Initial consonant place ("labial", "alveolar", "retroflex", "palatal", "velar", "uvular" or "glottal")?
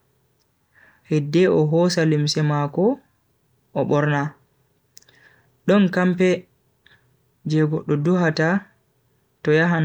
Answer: glottal